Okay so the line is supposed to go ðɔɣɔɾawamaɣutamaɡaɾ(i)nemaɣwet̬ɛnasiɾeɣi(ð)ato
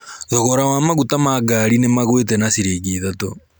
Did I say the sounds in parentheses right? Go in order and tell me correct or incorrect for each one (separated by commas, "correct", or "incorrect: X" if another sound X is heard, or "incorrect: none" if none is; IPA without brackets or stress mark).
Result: correct, correct